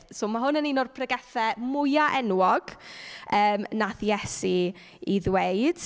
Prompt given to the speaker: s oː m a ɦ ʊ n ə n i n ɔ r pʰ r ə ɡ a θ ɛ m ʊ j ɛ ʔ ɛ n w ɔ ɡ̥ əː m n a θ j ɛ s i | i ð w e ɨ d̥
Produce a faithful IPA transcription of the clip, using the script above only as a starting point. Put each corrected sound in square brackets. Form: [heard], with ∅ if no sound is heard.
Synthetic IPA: s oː m a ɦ ʊ n ə n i n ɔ r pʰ r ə ɡ [ɛ] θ ɛ m ʊ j [a] ʔ ɛ n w ɔ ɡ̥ əː m n a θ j ɛ s i | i ð w e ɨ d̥